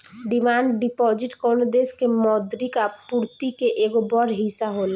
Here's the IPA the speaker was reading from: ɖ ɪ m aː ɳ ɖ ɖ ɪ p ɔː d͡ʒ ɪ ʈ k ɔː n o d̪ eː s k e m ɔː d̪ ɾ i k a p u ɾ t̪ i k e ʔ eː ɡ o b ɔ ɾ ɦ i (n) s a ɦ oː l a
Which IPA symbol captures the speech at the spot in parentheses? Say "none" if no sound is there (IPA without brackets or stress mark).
none